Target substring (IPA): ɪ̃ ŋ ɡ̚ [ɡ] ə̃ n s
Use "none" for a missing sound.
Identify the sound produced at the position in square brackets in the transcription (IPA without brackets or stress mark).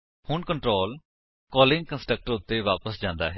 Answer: k